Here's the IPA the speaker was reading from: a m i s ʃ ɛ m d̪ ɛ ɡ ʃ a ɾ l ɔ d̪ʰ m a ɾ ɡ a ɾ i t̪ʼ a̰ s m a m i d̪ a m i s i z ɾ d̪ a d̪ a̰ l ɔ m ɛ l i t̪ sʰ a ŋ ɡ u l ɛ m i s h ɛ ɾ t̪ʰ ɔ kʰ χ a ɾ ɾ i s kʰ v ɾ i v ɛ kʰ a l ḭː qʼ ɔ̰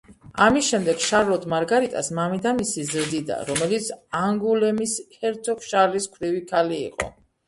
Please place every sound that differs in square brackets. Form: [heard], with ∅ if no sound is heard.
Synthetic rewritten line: a m i s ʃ ɛ m d̪ ɛ ɡ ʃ a ɾ l ɔ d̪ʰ m a ɾ ɡ a ɾ i t̪ʼ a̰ s m a m i d̪ a m i s i z ɾ d̪ [i] d̪ a̰ [ɾ] ɔ m ɛ l i t̪ sʰ a ŋ ɡ u l ɛ m i s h ɛ ɾ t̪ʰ ɔ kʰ [ʃ] a ɾ [l] i s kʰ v ɾ i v [i] kʰ a l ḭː qʼ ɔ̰